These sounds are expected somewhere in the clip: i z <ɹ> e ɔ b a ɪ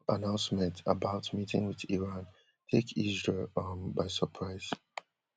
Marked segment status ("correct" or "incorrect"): correct